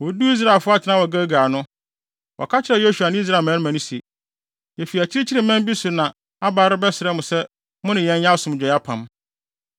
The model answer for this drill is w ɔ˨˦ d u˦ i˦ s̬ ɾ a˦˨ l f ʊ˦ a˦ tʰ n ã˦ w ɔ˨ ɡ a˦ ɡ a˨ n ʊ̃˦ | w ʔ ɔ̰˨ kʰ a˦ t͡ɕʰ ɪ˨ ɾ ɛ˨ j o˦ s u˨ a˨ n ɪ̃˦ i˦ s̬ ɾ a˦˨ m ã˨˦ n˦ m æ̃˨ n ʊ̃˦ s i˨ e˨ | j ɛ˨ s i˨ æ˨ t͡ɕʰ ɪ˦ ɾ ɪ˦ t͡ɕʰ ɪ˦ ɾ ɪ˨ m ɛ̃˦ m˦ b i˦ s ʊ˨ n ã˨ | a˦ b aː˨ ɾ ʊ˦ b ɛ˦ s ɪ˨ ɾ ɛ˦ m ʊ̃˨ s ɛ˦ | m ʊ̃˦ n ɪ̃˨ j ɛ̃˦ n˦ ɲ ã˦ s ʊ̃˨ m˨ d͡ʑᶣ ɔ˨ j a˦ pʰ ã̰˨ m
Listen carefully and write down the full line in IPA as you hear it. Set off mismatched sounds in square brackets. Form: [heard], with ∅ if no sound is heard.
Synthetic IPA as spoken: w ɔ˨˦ d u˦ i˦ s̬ ɾ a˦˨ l f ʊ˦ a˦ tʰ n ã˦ w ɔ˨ ɡ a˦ ɡ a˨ n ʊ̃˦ | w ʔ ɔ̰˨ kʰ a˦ t͡ɕʰ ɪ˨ ɾ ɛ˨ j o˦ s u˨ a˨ n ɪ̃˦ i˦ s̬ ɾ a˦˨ m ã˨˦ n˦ m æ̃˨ n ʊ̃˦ s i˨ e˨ | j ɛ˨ [f] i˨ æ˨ t͡ɕʰ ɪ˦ ɾ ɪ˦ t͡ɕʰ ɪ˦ ɾ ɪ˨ m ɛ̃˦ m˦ b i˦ s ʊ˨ n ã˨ | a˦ b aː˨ ɾ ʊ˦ b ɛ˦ s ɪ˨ ɾ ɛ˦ m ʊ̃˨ s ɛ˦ | m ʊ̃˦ n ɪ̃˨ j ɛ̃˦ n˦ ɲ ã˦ s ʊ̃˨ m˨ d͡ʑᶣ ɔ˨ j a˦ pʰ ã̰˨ m